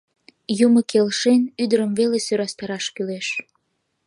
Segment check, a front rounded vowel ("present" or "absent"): present